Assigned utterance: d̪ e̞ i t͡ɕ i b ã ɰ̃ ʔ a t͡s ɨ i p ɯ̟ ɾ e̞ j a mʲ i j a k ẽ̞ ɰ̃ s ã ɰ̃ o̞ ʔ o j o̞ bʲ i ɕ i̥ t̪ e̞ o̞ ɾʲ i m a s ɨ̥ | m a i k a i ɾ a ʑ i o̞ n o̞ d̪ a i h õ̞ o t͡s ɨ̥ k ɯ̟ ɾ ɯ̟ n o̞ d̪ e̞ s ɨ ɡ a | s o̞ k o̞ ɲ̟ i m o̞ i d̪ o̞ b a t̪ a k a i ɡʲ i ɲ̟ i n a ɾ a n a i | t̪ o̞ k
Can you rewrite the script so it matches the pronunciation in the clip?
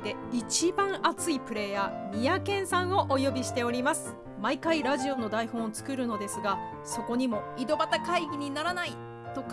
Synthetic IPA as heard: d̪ e̞ i t͡ɕ i b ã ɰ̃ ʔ a t͡s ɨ i p ɯ̟ ɾ e̞ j a mʲ i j a k ẽ̞ ɰ̃ s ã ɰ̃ o̞ ʔ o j o̞ bʲ i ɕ i̥ t̪ e̞ o̞ ɾʲ i m a s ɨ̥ | m a i k a i ɾ a ʑ i o̞ n o̞ d̪ a i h õ̞ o t͡s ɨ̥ k ɯ̟ ɾ ɯ̟ n o̞ d̪ e̞ s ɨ ɡ a | s o̞ k o̞ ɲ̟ i m o̞ i d̪ o̞ b a t̪ a k a i ɡʲ i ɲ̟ i n a ɾ a n a i | t̪ o̞ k